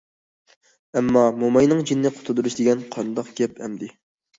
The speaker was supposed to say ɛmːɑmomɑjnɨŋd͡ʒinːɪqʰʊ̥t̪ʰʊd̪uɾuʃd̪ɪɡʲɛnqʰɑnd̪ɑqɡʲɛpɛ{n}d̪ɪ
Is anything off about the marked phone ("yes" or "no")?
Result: yes